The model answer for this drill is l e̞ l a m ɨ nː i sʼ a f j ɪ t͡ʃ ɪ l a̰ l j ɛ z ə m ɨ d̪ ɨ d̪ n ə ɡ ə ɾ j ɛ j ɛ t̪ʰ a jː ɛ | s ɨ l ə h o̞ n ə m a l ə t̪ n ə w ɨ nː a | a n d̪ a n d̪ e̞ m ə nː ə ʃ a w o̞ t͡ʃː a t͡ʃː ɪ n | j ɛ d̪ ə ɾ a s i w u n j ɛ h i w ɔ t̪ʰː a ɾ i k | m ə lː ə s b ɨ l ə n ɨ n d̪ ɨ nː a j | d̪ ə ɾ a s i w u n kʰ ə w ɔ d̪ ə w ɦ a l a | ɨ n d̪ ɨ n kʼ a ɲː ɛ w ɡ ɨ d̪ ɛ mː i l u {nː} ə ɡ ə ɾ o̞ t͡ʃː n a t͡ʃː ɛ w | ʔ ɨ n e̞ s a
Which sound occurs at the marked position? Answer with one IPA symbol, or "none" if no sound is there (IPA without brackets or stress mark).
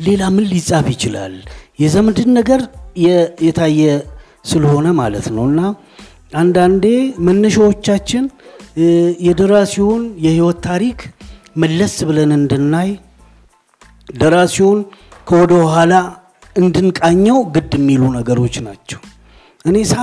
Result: n